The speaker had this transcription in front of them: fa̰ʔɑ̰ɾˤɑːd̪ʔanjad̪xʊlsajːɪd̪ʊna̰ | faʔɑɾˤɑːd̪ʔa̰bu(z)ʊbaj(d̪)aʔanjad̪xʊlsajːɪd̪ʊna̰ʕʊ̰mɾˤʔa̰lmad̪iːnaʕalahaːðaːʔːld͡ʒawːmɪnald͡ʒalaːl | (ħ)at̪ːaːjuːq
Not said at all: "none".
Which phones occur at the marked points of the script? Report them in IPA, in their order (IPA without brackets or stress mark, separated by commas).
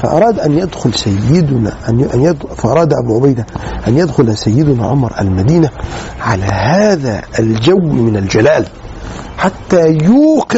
ʕ, d̪, ħ